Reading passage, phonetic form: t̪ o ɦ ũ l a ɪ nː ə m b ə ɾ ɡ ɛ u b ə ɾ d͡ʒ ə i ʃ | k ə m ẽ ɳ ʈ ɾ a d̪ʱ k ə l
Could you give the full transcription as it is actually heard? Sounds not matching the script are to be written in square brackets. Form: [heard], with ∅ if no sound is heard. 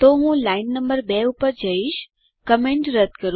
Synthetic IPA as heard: t̪ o ɦ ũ l a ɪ nː ə m b ə ɾ [b] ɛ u [p] ə ɾ d͡ʒ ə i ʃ | k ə m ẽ ɳ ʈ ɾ [ə] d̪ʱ k ə [ɾ]